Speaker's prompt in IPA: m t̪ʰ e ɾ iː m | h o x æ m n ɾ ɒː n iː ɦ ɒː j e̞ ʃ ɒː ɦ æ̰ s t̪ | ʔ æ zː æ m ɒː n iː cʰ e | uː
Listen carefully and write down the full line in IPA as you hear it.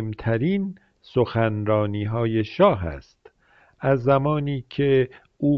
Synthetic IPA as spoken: m t̪ʰ æ ɾ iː n | s o x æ n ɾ ɒː n iː ɦ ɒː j e̞ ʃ ɒː ɦ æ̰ s t̪ | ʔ æ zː æ m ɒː n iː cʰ e | uː